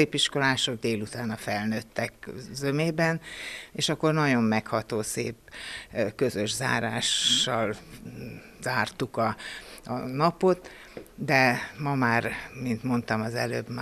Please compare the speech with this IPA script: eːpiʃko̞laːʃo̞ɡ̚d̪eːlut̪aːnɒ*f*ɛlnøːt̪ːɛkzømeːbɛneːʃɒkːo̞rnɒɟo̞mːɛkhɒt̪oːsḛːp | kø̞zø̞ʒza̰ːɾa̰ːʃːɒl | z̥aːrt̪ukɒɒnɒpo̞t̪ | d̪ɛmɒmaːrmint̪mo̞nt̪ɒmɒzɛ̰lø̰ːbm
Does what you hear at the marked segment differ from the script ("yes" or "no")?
no